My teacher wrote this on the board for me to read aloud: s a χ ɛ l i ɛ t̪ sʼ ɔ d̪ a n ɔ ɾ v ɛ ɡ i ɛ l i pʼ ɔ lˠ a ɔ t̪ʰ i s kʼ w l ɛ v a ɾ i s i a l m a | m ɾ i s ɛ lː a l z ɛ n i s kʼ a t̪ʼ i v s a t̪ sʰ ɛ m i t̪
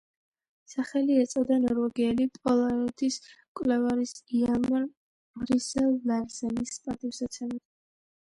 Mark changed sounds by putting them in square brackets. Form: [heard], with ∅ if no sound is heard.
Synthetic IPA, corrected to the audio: s a χ ɛ l i ɛ t̪ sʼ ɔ d̪ a n ɔ ɾ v ɛ ɡ i ɛ l i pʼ ɔ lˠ a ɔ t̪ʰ i s kʼ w l ɛ v a ɾ i s i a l m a | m ɾ i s ɛ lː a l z ɛ n i s [pʼ] a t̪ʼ i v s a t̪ sʰ ɛ m i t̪